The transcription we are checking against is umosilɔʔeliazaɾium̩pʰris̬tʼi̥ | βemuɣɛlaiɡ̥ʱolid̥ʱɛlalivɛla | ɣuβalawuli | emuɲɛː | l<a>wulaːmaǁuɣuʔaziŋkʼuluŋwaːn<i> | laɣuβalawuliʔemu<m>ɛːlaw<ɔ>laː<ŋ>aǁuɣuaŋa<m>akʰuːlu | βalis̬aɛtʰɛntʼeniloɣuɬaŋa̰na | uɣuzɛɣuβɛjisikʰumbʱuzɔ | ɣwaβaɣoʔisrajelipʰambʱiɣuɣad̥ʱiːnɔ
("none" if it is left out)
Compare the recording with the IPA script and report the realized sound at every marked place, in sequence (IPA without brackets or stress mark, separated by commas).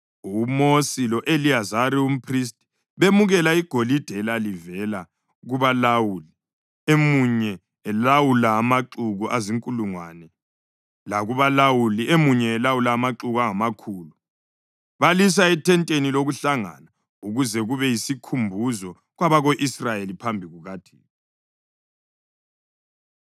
a, ɛ, ɲ, u, m, m